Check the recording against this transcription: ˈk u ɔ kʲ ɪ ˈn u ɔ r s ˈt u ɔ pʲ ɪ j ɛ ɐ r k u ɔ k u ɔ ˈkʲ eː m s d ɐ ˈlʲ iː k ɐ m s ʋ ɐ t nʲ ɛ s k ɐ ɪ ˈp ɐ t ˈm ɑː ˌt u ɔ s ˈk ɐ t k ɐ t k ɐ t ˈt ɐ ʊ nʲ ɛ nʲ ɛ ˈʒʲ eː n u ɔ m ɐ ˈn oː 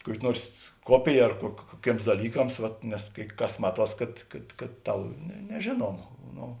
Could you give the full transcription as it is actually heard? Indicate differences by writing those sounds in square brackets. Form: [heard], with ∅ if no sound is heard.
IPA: ˈk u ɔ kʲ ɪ ˈn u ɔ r s [ˈk] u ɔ pʲ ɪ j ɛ ɐ r k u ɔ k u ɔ ˈkʲ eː m s d ɐ ˈlʲ iː k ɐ m s ʋ ɐ t nʲ ɛ s k ɐ ɪ [ˈk] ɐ [s] ˈm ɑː ˌt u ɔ s ˈk ɐ t k ɐ t k ɐ t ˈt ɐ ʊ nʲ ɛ nʲ ɛ ˈʒʲ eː n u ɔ m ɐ ˈn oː

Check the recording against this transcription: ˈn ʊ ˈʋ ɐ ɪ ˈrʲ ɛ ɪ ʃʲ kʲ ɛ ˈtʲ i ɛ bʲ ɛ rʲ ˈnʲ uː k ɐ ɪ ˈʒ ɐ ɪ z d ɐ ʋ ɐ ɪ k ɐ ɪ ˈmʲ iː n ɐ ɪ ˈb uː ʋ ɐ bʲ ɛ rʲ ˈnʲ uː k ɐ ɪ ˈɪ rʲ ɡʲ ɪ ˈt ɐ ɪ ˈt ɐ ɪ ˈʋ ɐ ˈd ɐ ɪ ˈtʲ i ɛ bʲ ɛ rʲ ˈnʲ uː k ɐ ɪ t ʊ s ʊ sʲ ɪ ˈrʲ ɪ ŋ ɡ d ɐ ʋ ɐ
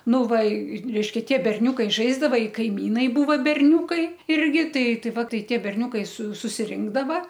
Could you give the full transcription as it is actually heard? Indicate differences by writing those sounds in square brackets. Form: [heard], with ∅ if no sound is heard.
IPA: ˈn ʊ ˈʋ ɐ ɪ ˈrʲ ɛ ɪ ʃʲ kʲ ɛ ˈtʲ i ɛ bʲ ɛ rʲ ˈnʲ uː k ɐ ɪ ˈʒ ɐ ɪ z d ɐ ʋ ɐ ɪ k ɐ ɪ ˈmʲ iː n ɐ ɪ ˈb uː ʋ ɐ bʲ ɛ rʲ ˈnʲ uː k ɐ ɪ ˈɪ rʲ ɡʲ ɪ ˈt ɐ ɪ ˈt ɐ ɪ ˈʋ ɐ [ˈt] ɐ ɪ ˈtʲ i ɛ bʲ ɛ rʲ ˈnʲ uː k ɐ ɪ [s] ʊ s ʊ sʲ ɪ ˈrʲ ɪ ŋ ɡ d ɐ ʋ ɐ

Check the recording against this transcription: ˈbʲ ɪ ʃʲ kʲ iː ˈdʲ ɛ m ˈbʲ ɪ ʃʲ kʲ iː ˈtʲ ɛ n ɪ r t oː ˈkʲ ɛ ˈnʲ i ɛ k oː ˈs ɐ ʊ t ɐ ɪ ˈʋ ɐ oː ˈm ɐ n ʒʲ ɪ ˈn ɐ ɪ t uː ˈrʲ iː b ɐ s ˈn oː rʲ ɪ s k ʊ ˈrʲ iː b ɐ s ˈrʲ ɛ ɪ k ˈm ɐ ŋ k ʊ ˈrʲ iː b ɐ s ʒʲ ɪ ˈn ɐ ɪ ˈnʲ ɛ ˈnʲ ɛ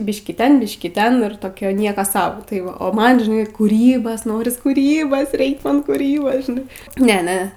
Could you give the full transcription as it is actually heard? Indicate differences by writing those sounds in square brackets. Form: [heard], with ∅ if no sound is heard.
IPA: ˈbʲ ɪ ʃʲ kʲ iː [ˈtʲ] ɛ [n] ˈbʲ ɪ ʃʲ kʲ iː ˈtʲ ɛ n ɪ r t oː ˈkʲ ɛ ˈnʲ i ɛ k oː ˈs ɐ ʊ t ɐ ɪ ˈʋ ɐ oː ˈm ɐ n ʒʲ ɪ ˈn ɐ ɪ [k] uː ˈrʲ iː b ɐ s ˈn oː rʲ ɪ s k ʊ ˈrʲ iː b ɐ s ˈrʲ ɛ ɪ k ˈm ɐ [n] k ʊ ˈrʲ iː b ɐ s ʒʲ ɪ ˈn ɐ ɪ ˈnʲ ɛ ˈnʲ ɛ

